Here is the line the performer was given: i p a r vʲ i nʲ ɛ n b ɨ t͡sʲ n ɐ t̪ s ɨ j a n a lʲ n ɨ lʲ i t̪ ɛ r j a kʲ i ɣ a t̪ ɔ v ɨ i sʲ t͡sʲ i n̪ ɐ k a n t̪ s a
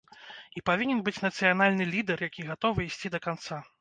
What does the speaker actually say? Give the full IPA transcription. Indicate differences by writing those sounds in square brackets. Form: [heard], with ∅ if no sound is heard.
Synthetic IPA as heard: i p a [∅] vʲ i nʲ ɛ n b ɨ t͡sʲ n ɐ t̪ s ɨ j a n a lʲ n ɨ lʲ i [d̪] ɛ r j a kʲ i ɣ a t̪ ɔ v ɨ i sʲ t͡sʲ i [d̪] ɐ k a n t̪ s a